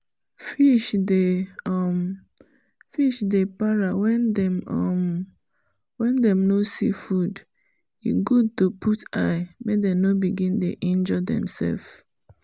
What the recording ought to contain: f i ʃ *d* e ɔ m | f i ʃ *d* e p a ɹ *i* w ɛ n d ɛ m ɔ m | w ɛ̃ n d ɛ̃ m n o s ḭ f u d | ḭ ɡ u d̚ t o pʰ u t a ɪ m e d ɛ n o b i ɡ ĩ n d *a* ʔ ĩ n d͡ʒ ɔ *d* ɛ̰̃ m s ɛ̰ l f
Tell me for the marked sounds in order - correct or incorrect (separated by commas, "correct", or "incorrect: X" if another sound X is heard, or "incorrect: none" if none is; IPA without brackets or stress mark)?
correct, correct, incorrect: a, incorrect: e, correct